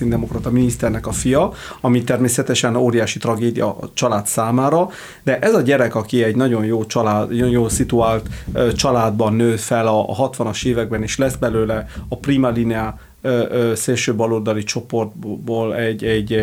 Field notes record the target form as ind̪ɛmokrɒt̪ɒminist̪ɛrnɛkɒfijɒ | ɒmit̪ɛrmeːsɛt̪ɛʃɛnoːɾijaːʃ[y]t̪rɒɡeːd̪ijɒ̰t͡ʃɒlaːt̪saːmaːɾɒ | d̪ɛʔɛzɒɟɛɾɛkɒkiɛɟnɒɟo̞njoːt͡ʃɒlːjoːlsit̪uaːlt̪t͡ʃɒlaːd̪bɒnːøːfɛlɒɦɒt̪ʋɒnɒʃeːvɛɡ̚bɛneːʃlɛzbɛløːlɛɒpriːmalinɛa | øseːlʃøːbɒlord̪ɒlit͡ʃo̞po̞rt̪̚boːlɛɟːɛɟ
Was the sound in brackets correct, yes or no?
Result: no